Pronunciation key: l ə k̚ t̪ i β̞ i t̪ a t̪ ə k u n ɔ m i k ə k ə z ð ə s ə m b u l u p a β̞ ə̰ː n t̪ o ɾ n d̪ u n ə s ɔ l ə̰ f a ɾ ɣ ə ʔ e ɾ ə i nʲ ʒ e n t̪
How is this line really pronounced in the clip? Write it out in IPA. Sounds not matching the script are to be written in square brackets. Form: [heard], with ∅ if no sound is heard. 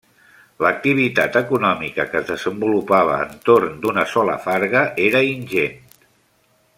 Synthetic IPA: l ə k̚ t̪ i β̞ i t̪ a t̪ ə k u n ɔ m i k ə k ə z ð ə [z] ə m b u l u p a β̞ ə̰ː n t̪ o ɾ n d̪ u n ə s ɔ l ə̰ f a ɾ ɣ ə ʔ e ɾ ə i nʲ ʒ e n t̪